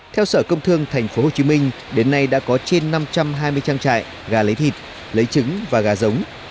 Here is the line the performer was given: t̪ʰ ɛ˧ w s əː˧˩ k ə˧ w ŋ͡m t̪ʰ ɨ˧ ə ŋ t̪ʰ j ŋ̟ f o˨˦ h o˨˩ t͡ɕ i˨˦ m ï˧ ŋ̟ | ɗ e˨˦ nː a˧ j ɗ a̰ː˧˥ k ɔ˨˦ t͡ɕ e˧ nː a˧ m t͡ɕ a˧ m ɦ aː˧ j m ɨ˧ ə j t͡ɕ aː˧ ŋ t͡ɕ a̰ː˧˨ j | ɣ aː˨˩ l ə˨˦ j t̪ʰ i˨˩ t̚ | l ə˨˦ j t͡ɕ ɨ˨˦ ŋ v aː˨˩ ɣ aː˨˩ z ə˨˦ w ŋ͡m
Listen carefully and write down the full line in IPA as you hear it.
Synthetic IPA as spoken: t̪ʰ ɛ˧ w s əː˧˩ k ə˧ w ŋ͡m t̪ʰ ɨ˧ ə ŋ t̪ʰ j ŋ̟ f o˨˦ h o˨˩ t͡ɕ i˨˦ m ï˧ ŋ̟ | ɗ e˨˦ nː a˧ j ɗ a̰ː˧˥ k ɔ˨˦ t͡ɕ e˧ nː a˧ m t͡ɕ a˧ m ɦ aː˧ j m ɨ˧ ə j t͡ɕ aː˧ ŋ t͡ɕ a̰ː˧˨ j | ɣ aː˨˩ l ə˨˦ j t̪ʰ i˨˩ t̚ | l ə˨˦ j t͡ɕ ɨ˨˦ ŋ v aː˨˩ ɣ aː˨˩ z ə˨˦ w ŋ͡m